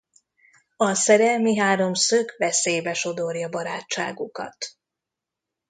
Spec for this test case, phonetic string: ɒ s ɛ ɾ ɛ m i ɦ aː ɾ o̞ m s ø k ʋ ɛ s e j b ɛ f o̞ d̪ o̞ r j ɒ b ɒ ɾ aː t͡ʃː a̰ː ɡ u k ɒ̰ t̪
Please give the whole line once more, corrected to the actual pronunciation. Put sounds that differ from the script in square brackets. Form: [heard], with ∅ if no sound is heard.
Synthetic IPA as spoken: ɒ s ɛ ɾ ɛ m i ɦ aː ɾ o̞ m s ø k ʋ ɛ s e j b ɛ [ʃ] o̞ d̪ o̞ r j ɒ b ɒ ɾ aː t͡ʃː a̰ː ɡ u k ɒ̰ t̪